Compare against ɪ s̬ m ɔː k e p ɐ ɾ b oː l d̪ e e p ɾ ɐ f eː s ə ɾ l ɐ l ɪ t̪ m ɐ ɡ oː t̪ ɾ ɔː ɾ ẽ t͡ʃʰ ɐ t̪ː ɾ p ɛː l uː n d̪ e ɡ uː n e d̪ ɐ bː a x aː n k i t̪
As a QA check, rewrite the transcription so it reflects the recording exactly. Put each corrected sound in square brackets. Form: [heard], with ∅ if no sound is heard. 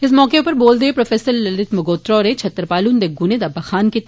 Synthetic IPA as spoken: ɪ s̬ m ɔː k e p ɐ ɾ b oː l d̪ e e p ɾ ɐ f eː s ə ɾ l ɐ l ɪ t̪ m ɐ ɡ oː t̪ ɾ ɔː ɾ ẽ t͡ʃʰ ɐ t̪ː ɾ p [aː] l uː n d̪ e ɡ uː n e d̪ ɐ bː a x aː n k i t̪